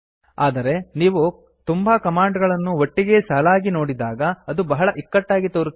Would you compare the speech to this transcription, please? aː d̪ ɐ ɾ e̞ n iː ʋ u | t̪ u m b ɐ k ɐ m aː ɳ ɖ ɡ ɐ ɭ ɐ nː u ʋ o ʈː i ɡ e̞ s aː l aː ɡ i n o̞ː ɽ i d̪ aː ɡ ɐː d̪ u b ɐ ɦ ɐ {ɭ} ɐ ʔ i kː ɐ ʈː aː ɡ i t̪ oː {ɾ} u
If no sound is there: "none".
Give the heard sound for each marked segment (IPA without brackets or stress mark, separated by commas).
ɭ, ɾ